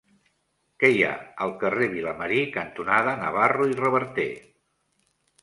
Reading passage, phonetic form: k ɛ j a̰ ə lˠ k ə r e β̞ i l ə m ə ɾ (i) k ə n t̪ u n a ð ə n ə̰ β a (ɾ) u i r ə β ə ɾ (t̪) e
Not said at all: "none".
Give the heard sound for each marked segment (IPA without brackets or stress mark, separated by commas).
i, r, t̪